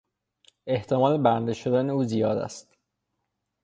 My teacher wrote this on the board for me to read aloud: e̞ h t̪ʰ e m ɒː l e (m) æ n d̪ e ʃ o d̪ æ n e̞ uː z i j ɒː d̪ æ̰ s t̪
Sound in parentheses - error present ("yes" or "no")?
yes